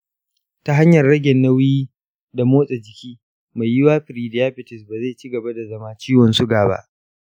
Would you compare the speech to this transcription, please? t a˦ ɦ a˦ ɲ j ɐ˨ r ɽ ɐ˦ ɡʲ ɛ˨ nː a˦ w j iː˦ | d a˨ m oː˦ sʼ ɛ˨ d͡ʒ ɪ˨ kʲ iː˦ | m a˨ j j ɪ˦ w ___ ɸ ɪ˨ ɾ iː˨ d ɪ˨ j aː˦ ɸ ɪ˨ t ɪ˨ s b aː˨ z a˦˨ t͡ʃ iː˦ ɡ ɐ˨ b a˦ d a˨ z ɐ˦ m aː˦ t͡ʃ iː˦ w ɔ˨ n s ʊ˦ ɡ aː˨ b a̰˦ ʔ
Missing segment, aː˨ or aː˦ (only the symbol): aː˦